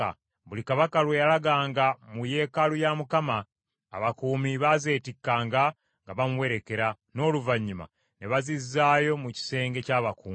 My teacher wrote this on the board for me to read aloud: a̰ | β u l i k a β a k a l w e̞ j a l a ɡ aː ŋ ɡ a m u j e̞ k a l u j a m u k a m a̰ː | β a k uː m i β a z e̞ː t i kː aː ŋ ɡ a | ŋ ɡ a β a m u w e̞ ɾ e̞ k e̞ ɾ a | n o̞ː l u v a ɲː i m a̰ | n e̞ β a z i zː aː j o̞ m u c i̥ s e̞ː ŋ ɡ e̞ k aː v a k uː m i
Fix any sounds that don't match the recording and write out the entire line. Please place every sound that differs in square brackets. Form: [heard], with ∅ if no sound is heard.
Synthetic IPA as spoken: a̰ | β u l i k a β a k a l w e̞ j a l a ɡ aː ŋ ɡ a m u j e̞ k a l u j a m u k a m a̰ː | β a k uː m i β a z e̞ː t i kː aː ŋ ɡ a | ŋ ɡ a β a m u w e̞ ɾ e̞ k e̞ ɾ a | n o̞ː l u v a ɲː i m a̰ | n e̞ β a z i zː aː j o̞ m u c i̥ s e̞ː ŋ ɡ e̞ [c] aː [β] a k uː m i